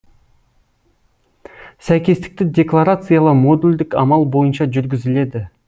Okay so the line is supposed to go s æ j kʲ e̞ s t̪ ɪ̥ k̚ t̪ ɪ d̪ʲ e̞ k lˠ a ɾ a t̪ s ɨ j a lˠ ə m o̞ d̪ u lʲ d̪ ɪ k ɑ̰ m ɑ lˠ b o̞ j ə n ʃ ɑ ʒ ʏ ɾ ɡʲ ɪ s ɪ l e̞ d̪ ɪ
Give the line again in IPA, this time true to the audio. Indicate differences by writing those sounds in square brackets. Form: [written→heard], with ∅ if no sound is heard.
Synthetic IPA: s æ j kʲ e̞ s t̪ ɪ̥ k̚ t̪ ɪ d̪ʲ e̞ k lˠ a ɾ a t̪ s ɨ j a lˠ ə m o̞ d̪ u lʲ d̪ ɪ k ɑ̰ m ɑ lˠ b o̞ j ə n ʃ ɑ ʒ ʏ ɾ ɡʲ ɪ [s→z] ɪ l e̞ d̪ ɪ